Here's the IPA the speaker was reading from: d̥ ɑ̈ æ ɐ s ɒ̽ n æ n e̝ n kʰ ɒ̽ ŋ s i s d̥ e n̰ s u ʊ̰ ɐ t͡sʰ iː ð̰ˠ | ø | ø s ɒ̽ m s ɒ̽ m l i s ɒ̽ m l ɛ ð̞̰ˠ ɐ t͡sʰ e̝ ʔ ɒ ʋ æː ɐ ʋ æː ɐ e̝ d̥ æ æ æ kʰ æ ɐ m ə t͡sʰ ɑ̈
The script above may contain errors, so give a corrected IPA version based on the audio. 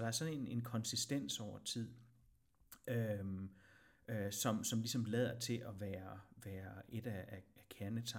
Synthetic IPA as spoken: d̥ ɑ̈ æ ɐ s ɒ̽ n e n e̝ n kʰ ɒ̽ n s i s d̥ e n̰ s ɒ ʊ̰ ɐ t͡sʰ i ð̰ˠ | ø | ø s ɒ̽ m s ɒ̽ m l i s ɒ̽ m l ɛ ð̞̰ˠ ɐ t͡sʰ e̝ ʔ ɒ ʋ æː ɐ ʋ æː ɐ e̝ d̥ æ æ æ kʰ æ ɐ n ə t͡sʰ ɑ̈